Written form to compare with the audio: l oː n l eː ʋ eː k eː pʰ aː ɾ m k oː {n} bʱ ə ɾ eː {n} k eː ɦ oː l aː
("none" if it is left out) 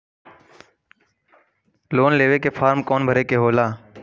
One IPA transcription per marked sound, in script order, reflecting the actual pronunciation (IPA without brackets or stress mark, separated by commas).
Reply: n, none